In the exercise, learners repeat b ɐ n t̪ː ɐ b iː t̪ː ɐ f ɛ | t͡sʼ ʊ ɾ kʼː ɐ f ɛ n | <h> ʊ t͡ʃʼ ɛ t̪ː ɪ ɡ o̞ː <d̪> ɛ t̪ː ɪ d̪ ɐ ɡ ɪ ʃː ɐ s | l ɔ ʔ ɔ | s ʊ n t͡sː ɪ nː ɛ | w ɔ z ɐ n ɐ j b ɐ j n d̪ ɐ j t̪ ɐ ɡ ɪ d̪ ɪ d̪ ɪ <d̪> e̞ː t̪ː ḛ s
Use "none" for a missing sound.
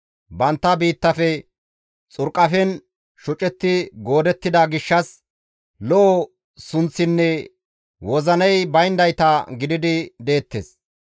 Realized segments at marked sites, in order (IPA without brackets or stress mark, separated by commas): ʃ, d̪, d̪